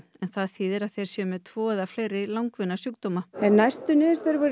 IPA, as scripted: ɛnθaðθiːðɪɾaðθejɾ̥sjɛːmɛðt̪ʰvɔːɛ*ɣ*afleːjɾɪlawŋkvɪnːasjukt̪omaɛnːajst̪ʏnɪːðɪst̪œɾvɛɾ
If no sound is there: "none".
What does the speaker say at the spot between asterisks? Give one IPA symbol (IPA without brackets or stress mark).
ð